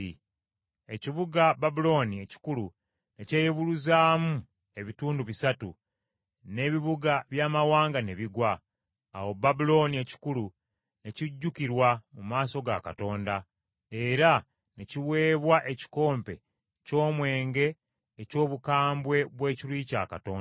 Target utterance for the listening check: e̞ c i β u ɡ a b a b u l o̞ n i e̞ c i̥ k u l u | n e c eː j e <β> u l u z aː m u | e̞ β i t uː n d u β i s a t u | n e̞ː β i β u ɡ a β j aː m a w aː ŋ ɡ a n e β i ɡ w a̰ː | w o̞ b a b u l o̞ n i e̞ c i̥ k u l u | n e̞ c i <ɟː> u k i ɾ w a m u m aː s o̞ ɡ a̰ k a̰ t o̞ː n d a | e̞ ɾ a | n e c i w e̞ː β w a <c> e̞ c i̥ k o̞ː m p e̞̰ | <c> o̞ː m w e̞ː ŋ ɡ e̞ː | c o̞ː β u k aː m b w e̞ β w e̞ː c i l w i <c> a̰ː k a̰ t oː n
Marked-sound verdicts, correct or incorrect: correct, correct, incorrect: ʔ, correct, correct

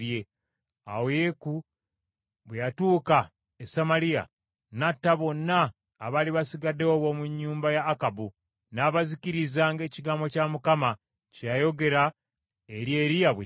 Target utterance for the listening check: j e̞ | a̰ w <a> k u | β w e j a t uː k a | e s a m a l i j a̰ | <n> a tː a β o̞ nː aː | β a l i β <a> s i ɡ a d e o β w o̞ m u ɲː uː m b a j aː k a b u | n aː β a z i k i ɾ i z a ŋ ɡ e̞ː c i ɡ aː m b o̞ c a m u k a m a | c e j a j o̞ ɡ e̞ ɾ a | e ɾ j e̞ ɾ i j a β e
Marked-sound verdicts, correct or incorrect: incorrect: e, correct, correct

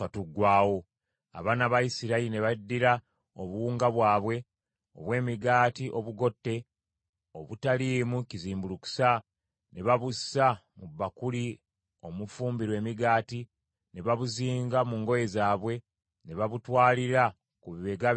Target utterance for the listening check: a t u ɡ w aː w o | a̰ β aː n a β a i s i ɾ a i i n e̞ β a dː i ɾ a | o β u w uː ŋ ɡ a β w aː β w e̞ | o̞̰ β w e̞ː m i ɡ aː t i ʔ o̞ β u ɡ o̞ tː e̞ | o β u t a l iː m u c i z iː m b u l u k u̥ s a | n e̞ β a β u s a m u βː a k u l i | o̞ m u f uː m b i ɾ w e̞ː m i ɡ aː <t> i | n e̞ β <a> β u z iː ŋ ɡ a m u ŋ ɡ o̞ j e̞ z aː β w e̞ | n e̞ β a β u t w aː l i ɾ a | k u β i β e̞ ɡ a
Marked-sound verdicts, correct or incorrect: correct, correct

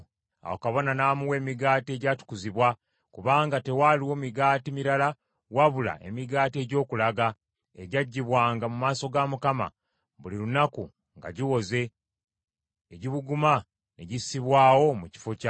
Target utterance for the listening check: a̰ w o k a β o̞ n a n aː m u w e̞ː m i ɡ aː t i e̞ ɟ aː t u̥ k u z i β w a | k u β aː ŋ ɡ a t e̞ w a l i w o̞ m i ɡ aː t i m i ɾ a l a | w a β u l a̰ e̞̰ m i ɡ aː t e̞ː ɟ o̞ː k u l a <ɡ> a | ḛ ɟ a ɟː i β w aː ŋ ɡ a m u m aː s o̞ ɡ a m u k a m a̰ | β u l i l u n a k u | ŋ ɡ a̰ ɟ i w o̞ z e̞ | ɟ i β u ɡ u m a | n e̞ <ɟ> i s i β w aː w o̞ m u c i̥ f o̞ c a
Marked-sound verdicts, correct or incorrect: correct, correct

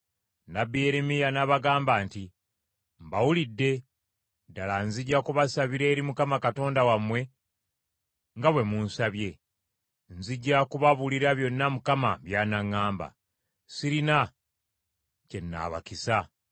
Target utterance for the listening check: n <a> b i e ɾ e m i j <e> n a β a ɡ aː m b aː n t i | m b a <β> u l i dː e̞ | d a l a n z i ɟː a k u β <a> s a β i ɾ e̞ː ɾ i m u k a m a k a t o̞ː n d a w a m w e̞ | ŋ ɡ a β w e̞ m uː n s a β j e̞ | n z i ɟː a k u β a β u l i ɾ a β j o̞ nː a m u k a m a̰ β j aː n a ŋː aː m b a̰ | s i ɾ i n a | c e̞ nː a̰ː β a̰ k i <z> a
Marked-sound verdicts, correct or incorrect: correct, incorrect: a, incorrect: w, correct, incorrect: s

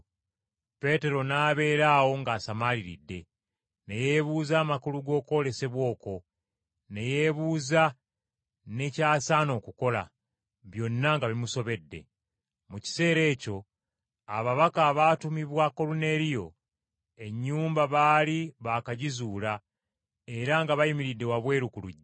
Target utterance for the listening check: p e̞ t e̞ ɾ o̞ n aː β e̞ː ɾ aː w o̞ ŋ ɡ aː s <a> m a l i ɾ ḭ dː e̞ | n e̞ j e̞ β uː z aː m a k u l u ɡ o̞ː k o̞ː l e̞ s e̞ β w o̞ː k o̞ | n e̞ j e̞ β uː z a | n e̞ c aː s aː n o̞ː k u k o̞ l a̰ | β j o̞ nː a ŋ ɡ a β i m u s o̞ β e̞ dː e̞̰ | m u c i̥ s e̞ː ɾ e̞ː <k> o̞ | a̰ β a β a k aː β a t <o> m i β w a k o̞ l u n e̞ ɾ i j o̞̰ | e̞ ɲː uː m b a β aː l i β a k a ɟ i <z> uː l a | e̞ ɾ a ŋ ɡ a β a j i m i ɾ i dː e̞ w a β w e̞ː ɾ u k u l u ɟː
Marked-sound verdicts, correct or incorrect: correct, incorrect: c, incorrect: u, correct

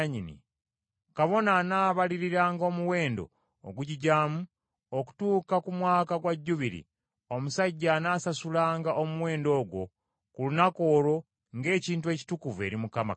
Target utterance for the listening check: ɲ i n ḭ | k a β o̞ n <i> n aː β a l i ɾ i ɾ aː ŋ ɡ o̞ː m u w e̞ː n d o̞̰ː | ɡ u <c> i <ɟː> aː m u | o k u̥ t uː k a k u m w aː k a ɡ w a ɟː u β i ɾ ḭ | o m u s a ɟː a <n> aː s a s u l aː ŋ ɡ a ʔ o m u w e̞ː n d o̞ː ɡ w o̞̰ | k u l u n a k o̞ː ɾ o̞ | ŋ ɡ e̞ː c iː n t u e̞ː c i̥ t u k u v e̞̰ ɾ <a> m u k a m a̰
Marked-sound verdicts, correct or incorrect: incorrect: a, incorrect: ɟ, incorrect: ɟ, correct, incorrect: i

